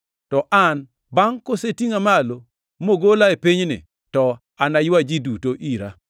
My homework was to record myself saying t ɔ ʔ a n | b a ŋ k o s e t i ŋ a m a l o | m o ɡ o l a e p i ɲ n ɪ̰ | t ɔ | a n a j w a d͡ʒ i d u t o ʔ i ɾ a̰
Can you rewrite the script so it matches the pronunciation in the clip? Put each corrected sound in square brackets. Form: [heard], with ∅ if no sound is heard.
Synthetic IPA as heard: t ɔ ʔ a n | b a ŋ k o s e t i ŋ a m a l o | m o ɡ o l a e p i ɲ n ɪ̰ | t ɔ | a n a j w a d͡ʒ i d u t o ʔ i ɾ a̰